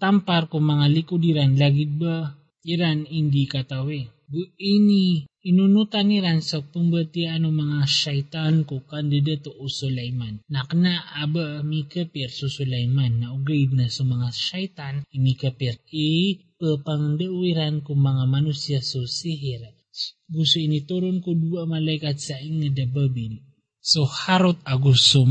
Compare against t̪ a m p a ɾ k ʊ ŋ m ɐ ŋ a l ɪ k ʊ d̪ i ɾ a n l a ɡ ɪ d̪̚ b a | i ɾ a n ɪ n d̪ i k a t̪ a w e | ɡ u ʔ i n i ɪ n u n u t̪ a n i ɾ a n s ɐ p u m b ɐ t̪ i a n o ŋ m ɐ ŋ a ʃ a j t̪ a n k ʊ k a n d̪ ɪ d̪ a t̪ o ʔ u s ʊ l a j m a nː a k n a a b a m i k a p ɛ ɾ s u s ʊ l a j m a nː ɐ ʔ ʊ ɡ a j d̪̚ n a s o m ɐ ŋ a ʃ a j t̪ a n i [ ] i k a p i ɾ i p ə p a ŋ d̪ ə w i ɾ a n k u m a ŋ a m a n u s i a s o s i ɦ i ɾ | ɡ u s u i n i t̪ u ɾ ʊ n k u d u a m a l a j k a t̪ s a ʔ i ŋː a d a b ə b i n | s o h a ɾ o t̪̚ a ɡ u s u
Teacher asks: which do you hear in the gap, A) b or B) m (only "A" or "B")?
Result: B